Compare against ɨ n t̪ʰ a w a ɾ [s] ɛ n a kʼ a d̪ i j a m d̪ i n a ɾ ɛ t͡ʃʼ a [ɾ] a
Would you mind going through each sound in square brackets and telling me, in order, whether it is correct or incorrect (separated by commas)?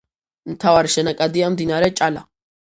incorrect, incorrect